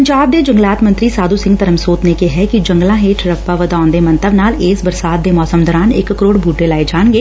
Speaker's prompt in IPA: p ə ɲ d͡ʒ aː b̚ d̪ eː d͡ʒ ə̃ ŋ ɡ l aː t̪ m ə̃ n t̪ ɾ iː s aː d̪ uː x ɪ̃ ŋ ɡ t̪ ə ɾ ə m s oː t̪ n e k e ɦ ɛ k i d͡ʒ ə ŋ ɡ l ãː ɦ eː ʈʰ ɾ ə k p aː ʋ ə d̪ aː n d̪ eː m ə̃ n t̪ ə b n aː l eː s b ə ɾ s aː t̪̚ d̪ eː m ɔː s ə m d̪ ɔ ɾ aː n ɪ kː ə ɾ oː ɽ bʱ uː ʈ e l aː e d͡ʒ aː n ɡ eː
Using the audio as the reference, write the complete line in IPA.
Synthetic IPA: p ə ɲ d͡ʒ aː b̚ d̪ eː d͡ʒ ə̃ ŋ ɡ l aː t̪ m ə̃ n t̪ ɾ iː s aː d̪ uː s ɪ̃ ŋ ɡ t̪ ə ɾ ə m s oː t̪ n e k e ɦ ɛ k i d͡ʒ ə ŋ ɡ l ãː ɦ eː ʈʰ ɾ ə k p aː ʋ ə d̪ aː n d̪ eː m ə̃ n t̪ ə b n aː l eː s b ə ɾ s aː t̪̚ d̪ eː m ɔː s ə m d̪ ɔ ɾ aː n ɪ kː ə ɾ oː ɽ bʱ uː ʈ e l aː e d͡ʒ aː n ɡ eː